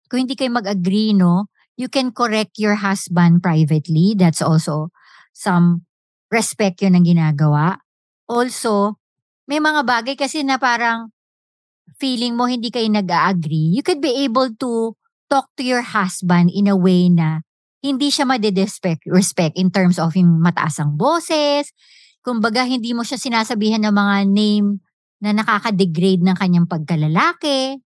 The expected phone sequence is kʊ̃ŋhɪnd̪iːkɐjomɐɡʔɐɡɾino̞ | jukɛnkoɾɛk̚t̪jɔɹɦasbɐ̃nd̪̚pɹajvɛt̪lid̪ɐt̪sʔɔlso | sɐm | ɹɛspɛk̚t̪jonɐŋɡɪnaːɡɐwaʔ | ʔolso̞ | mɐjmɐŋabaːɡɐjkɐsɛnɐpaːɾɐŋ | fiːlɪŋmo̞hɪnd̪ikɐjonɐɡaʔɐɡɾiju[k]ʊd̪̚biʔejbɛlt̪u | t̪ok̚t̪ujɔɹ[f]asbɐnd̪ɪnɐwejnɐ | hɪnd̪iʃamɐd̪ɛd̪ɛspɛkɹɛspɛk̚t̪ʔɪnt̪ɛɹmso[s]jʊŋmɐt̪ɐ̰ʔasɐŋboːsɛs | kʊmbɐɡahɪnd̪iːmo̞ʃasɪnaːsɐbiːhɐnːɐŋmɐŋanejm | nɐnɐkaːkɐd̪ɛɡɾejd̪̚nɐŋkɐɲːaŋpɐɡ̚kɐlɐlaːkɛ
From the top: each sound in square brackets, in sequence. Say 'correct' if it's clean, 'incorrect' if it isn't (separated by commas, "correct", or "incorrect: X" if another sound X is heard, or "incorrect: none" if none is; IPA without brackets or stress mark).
correct, incorrect: h, incorrect: f